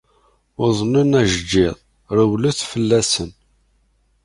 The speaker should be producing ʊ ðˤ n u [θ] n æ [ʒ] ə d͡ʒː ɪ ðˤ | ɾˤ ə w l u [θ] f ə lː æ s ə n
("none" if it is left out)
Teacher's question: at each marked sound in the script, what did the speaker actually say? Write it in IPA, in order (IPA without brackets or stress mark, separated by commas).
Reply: none, ʒ, θ